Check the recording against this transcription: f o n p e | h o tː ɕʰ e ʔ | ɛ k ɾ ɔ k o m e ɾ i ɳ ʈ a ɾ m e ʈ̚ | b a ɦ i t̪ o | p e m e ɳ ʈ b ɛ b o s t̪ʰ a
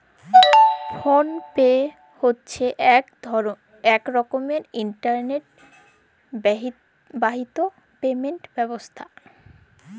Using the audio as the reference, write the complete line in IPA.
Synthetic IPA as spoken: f o n p e | h o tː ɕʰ e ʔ | ɛ k ɾ ɔ k o m e ɾ i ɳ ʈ a ɾ n e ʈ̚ | b a ɦ i t̪ o | p e m e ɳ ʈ b ɛ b o s t̪ʰ a